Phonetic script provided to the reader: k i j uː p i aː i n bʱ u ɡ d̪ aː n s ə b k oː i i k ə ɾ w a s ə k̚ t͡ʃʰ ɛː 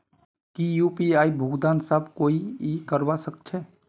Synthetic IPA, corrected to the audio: k i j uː p i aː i bʱ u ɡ d̪ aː n s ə b k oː i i k ə ɾ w a s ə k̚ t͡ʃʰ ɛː